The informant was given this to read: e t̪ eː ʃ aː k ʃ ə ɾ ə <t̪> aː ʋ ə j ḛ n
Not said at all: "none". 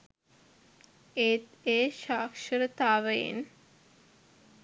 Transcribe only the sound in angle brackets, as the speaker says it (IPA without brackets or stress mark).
t̪